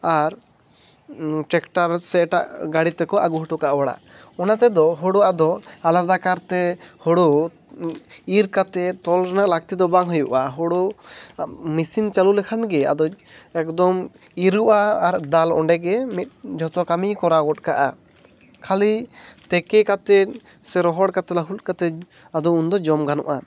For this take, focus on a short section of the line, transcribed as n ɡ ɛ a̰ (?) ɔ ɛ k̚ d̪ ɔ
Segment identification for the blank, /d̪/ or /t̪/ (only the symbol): d̪